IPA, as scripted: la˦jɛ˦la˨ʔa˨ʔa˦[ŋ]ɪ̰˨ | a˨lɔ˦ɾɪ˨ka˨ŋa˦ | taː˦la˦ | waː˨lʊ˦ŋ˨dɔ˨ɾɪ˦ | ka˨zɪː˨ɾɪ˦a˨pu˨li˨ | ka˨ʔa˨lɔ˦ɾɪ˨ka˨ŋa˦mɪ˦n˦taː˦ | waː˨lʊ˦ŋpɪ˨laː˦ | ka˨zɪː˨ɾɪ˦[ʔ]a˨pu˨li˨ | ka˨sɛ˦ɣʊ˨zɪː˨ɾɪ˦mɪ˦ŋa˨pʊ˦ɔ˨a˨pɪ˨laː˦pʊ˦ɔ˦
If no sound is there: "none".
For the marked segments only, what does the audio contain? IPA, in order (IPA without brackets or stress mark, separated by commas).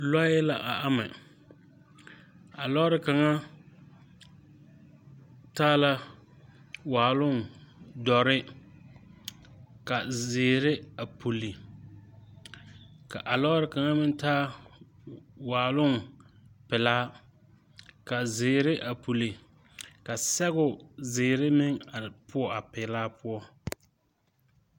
m, ʔ